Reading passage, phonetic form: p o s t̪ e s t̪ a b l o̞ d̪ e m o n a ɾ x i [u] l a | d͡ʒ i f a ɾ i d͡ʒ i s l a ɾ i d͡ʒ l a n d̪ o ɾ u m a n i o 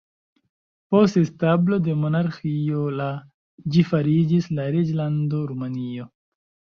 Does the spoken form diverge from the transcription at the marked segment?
yes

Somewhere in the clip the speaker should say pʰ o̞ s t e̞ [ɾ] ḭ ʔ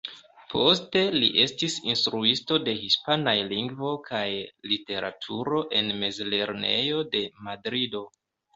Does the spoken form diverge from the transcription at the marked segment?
yes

